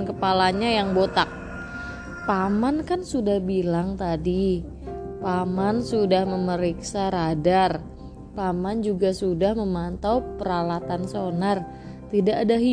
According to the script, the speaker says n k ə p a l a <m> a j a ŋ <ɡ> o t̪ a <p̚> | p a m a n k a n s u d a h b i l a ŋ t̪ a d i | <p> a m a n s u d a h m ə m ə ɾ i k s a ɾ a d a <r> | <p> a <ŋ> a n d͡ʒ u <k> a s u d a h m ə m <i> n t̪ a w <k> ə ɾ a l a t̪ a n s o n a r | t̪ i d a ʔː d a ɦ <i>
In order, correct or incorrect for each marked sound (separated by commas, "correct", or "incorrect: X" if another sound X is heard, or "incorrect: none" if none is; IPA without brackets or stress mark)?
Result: incorrect: ɲ, incorrect: b, incorrect: k̚, correct, correct, correct, incorrect: m, incorrect: ɡ, incorrect: a, incorrect: p, correct